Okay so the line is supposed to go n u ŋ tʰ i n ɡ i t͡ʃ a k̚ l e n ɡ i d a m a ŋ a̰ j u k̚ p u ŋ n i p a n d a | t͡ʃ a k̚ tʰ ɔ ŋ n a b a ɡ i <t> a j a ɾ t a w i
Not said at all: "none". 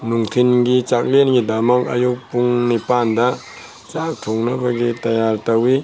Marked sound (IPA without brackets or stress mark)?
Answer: t